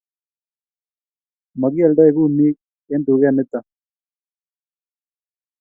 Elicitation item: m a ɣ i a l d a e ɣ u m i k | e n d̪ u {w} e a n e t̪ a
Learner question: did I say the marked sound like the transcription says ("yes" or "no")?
no